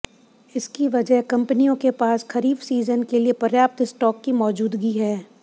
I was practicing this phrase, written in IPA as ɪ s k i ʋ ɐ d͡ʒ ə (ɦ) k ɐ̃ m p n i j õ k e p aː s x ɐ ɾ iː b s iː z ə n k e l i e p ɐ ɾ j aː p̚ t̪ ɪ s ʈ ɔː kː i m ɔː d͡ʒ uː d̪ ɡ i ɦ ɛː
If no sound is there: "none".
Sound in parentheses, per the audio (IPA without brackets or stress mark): ɦ